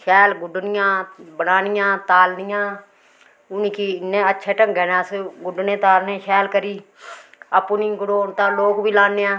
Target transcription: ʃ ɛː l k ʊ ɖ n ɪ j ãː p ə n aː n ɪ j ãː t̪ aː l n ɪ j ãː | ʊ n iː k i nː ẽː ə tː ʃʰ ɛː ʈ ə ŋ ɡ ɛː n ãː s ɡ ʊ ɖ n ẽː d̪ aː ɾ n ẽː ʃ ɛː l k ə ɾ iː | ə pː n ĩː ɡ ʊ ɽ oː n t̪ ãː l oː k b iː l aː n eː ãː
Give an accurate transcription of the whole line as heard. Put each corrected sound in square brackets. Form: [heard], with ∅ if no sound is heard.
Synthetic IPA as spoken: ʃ ɛː l [ɡ] ʊ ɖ n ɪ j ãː [b] ə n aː n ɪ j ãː t̪ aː l n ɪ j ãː | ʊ n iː k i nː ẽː ə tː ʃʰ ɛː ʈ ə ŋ ɡ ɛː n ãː s ɡ ʊ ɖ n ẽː [t̪] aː [l] n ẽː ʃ ɛː l k ə ɾ iː | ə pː n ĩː ɡ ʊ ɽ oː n t̪ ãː l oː k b iː l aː n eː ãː